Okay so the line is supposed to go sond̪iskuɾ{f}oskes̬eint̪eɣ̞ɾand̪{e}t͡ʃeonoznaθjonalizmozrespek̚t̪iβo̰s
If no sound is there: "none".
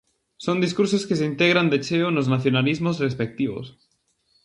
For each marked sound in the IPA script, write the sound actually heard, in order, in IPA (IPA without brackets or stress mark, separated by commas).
s, e